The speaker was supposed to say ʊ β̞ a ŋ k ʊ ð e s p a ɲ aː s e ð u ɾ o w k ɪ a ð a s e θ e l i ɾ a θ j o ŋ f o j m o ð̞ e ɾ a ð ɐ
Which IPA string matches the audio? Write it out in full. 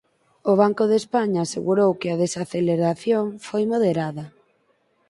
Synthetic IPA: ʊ β̞ a ŋ k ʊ ð e s p a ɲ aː s e ɣ u ɾ o w k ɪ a ð e s a θ e l e ɾ a θ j o ŋ f o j m o ð̞ e ɾ a ð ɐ